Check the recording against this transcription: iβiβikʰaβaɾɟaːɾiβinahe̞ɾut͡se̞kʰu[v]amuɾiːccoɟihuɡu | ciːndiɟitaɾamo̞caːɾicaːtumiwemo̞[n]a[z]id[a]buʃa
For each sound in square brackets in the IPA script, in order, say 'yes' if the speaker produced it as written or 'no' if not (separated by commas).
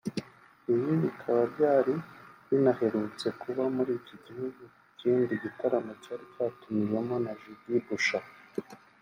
no, yes, no, no